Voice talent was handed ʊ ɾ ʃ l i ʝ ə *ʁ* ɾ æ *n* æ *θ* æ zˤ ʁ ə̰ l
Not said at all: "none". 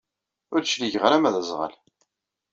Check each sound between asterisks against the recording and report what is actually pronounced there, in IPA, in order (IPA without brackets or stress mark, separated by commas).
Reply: ʁ, m, ð